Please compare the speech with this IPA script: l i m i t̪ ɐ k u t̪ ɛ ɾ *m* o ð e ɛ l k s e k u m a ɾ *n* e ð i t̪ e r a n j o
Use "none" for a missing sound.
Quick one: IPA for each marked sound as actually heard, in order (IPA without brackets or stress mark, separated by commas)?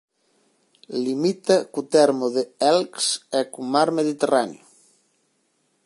m, m